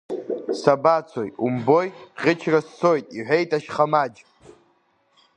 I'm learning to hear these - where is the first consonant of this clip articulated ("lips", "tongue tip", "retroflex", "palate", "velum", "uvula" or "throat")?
tongue tip